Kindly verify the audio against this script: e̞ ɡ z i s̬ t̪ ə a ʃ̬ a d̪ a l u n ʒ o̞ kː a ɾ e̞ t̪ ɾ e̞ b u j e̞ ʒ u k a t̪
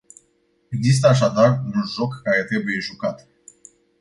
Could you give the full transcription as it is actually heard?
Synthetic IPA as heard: e̞ ɡ z i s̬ t̪ ə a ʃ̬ a d̪ a r u n ʒ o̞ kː a ɾ e̞ t̪ ɾ e̞ b u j e̞ ʒ u k a t̪